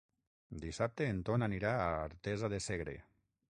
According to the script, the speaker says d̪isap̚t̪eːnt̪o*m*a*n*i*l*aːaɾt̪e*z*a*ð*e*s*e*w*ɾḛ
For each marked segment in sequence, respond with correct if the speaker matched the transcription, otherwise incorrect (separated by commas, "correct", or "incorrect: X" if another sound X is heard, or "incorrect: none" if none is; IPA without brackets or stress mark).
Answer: incorrect: n, correct, incorrect: ɾ, correct, correct, correct, incorrect: ɣ